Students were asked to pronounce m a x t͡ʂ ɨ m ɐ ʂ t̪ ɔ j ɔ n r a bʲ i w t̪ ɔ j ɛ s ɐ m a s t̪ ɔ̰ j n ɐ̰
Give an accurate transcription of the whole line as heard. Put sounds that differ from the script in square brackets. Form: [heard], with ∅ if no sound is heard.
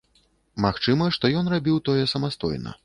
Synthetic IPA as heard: m a x t͡ʂ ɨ m ɐ ʂ t̪ ɔ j ɔ n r a bʲ i w t̪ ɔ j ɛ s ɐ m a s t̪ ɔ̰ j n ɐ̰